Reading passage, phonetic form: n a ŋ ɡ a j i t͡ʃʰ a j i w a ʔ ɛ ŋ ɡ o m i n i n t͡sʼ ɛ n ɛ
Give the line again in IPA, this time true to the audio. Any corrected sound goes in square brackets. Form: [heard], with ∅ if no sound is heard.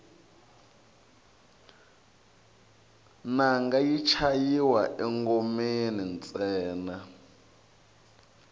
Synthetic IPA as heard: n a ŋ ɡ a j i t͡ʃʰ a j i w a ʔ ɛ ŋ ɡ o m [e] n i n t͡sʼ [ɛː] n [a]

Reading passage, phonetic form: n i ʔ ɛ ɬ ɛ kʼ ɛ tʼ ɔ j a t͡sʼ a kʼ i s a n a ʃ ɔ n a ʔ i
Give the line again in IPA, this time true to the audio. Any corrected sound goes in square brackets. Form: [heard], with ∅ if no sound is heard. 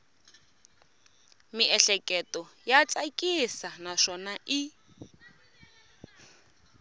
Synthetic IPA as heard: [m] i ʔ ɛ ɬ ɛ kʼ ɛ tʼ ɔ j a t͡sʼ a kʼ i s a n a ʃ ɔ n a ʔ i

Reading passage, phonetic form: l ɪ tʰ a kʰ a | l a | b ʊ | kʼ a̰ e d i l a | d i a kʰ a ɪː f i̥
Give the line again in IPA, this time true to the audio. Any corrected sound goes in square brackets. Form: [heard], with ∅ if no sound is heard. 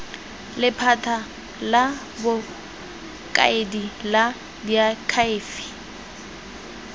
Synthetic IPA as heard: l ɪ [pʰ] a [tʰ] a | l a | b ʊ | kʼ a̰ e d i l a | d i a kʰ a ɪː f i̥

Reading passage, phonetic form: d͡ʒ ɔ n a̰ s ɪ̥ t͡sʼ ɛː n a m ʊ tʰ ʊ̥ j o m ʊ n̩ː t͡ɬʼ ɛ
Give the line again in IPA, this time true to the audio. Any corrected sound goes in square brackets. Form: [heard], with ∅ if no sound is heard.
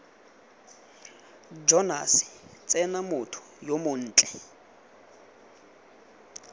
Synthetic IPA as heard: d͡ʒ ɔ n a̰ s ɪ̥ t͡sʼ [ɛ] n a m ʊ tʰ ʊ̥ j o m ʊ n̩ː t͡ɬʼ ɛ

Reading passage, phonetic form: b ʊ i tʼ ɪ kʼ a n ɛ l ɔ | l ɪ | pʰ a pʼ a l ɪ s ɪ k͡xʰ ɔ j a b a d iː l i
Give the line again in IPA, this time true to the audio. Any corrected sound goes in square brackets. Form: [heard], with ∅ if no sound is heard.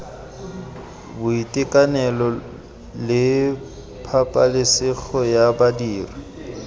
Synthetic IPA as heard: b ʊ i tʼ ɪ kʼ a n ɛ l ɔ | l ɪ | pʰ a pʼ a l ɪ s ɪ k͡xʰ ɔ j a b a d iː [r] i

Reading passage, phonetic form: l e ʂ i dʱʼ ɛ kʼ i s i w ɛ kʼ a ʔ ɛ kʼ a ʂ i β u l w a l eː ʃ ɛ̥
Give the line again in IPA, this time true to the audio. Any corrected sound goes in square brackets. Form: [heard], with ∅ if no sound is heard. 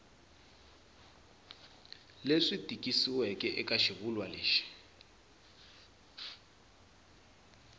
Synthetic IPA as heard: l e ʂ i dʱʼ [i] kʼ i s i w ɛ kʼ [ɛ] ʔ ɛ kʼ a [ʃ] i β u l w a l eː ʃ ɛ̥

